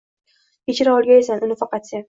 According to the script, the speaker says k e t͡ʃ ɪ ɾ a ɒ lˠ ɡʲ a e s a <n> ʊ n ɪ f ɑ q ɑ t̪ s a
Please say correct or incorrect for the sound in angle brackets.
correct